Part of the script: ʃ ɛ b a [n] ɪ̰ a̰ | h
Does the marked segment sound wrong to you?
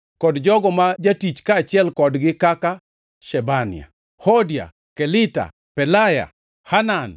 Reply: no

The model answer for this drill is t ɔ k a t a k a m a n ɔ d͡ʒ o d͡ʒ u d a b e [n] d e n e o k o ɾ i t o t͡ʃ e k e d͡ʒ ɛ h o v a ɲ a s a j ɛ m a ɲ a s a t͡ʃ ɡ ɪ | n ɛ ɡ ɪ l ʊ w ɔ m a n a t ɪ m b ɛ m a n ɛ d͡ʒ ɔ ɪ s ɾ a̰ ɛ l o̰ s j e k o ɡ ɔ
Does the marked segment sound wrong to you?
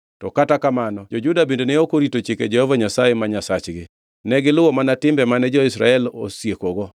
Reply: no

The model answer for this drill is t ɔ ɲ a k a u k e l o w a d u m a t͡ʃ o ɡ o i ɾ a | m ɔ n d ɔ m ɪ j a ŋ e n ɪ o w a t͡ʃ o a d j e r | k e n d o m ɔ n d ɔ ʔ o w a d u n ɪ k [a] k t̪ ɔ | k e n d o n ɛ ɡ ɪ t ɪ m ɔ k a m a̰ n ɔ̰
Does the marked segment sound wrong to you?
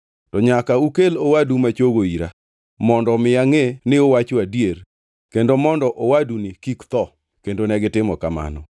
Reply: yes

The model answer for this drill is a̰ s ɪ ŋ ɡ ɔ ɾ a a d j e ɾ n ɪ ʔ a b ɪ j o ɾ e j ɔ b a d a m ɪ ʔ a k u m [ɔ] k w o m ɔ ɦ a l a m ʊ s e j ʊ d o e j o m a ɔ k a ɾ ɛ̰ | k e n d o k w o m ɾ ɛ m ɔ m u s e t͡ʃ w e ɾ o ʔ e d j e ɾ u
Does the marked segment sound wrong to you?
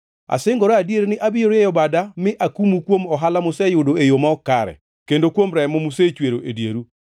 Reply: yes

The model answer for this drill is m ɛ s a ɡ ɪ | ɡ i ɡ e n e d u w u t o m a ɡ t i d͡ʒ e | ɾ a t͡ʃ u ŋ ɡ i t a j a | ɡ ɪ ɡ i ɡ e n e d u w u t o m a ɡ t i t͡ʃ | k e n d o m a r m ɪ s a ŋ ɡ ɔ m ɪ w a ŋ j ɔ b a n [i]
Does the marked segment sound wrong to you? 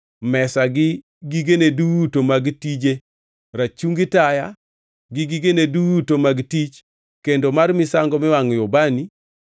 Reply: no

